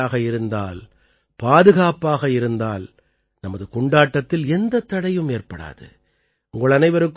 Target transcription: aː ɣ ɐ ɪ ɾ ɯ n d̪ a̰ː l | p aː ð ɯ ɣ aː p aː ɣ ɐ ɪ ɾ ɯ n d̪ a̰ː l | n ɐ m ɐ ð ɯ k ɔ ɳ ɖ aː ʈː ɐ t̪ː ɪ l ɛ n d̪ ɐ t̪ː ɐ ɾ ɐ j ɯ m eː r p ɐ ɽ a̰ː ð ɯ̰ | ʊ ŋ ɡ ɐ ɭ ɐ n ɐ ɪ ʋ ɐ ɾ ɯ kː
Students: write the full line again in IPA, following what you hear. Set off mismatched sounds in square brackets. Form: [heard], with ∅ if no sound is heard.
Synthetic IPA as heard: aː ɣ ɐ ɪ ɾ ɯ n d̪ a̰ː l | p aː ð ɯ ɣ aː p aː ɣ ɐ ɪ ɾ ɯ n d̪ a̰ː l | n ɐ m ɐ ð ɯ k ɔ ɳ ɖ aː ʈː ɐ t̪ː ɪ l ɛ n d̪ ɐ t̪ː ɐ [ɽ] ɐ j ɯ m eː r p ɐ ɽ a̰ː ð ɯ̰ | ʊ ŋ ɡ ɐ ɭ ɐ n ɐ ɪ ʋ ɐ ɾ ɯ kː